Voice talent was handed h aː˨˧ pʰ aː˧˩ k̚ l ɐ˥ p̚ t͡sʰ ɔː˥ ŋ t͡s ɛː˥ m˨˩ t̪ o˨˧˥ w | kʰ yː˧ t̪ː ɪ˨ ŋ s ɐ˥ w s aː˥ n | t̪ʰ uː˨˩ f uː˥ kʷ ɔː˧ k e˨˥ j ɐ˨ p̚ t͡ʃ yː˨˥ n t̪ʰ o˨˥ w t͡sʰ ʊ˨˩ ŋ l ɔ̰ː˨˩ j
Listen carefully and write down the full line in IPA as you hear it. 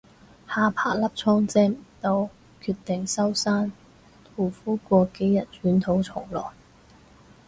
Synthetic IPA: h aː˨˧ pʰ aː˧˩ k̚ l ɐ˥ p̚ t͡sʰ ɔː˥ ŋ t͡s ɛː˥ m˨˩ t̪ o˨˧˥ w | kʰ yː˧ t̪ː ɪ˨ ŋ s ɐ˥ w s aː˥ n | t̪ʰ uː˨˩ f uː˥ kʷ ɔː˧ k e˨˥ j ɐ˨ t̚ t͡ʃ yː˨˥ n t̪ʰ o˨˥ w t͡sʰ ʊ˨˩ ŋ l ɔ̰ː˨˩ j